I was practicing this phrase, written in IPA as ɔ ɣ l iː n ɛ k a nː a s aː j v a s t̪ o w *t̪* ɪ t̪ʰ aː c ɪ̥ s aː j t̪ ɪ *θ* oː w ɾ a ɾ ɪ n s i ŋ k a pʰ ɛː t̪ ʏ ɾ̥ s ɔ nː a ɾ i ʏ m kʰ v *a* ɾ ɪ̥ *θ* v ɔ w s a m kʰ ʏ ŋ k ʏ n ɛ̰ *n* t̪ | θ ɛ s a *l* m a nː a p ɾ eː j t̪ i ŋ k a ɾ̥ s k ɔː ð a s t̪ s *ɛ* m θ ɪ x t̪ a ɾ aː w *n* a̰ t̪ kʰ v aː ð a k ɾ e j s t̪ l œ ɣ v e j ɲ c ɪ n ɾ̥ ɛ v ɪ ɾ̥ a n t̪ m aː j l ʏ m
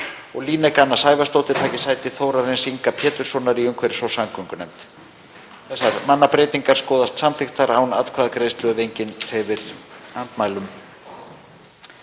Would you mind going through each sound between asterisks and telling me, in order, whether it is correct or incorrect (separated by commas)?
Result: correct, correct, incorrect, incorrect, incorrect, incorrect, incorrect, correct